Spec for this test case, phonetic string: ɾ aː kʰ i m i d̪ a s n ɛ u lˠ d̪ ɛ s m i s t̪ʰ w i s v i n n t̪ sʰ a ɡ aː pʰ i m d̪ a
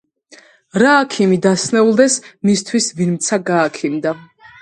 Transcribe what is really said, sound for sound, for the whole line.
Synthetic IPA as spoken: ɾ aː kʰ i m i d̪ a s n ɛ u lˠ d̪ ɛ s m i s t̪ʰ w i s v i n m t̪ sʰ a ɡ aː kʰ i m d̪ a

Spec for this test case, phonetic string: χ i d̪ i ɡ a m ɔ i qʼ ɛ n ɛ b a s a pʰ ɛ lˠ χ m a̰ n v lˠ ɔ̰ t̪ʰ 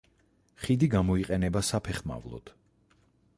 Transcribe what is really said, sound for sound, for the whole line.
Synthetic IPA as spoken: χ i d̪ i ɡ a m ɔ i qʼ ɛ n ɛ b a s a pʰ ɛ χ m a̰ v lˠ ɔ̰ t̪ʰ

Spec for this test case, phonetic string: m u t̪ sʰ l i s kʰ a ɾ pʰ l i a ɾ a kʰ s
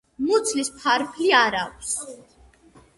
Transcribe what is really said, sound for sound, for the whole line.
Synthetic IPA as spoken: m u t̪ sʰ l i s pʰ a ɾ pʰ l i a ɾ a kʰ s

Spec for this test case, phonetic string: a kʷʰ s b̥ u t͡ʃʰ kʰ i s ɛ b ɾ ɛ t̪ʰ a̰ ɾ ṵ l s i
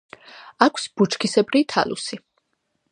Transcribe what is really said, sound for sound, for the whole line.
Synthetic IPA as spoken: a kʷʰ s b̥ u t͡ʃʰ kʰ i s ɛ b ɾ i t̪ʰ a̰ l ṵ s i

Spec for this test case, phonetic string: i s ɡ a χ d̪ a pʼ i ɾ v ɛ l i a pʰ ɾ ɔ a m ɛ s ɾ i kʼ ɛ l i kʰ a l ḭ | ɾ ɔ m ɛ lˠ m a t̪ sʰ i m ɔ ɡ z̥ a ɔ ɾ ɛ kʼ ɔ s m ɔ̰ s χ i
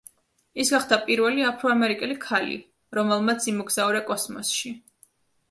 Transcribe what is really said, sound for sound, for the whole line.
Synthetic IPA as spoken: i s ɡ a χ d̪ a pʼ i ɾ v ɛ l i a pʰ ɾ ɔ a m ɛ ɾ i kʼ ɛ l i kʰ a l ḭ | ɾ ɔ m ɛ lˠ m a t̪ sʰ i m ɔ ɡ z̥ a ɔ ɾ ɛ kʼ ɔ s m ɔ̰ s ʃ i

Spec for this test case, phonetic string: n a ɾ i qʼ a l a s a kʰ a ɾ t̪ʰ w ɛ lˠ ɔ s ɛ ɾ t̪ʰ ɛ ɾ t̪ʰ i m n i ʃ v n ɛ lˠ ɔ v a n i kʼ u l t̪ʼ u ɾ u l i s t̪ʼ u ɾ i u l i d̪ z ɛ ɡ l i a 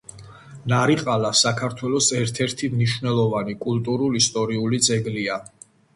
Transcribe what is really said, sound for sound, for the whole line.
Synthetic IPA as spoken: n a ɾ i qʼ a l a s a kʰ a ɾ t̪ʰ w ɛ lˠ ɔ s ɛ ɾ t̪ʰ ɛ ɾ t̪ʰ i m n i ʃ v n ɛ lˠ ɔ v a n i kʼ u l t̪ʼ u ɾ u l i s t̪ʼ ɔ ɾ i u l i d̪ z ɛ ɡ l i a

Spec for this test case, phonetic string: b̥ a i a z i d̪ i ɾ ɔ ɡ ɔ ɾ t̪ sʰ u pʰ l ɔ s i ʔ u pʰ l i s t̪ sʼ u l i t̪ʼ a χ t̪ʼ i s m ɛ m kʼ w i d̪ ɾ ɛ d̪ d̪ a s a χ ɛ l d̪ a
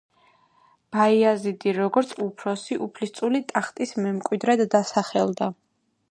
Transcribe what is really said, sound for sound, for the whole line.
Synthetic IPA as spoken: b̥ a i a z i d̪ i ɾ ɔ ɡ ɔ ɾ t̪ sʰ u pʰ ɾ ɔ s i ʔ u pʰ l i s t̪ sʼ u l i t̪ʼ a χ t̪ʼ i s m ɛ m kʼ w i d̪ ɾ ɛ d̪ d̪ a s a χ ɛ l d̪ a

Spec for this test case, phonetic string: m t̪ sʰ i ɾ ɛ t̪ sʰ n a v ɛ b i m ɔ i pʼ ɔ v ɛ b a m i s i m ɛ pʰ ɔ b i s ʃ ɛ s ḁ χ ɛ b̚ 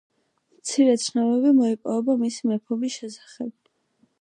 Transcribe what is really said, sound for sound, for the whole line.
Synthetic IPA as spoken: m t̪ sʰ i ɾ ɛ t̪ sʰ n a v ɛ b i m ɔ i pʼ ɔ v ɛ b a m i s i m ɛ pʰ ɔ b i s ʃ ɛ s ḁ χ ɛ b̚

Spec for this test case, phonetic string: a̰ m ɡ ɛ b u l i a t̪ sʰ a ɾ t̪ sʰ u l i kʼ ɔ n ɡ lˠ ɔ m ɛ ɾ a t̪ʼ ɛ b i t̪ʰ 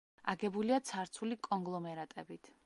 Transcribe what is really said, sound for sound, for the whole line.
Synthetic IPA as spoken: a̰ ɡ ɛ b u l i a t̪ sʰ a ɾ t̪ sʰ u l i kʼ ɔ ŋ ɡ lˠ ɔ m ɛ ɾ a t̪ʼ ɛ b i t̪ʰ

